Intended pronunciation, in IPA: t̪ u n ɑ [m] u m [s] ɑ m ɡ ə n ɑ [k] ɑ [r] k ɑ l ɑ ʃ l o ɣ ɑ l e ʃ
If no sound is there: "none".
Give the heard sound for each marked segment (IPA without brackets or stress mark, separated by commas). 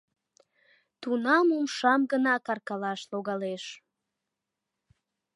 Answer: m, ʃ, k, r